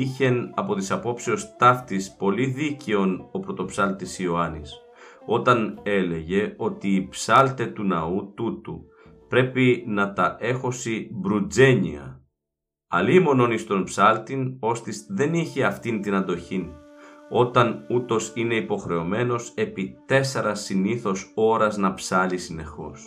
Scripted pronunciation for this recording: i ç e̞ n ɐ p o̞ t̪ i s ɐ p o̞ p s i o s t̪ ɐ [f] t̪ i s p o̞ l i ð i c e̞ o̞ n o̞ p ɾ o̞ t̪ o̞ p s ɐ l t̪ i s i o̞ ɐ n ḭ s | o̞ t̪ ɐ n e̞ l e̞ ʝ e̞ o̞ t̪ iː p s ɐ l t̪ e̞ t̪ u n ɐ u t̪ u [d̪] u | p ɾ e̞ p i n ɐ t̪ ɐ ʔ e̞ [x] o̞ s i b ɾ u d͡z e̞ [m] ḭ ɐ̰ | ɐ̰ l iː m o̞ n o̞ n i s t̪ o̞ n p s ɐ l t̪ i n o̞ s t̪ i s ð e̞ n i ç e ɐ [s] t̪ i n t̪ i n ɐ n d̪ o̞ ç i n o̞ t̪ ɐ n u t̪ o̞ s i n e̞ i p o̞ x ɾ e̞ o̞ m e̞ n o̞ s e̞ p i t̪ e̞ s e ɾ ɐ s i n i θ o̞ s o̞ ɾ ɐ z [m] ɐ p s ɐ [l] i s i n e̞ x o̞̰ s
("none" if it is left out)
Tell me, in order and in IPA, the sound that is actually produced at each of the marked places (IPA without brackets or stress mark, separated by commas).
f, t̪, x, ɲ, f, n, l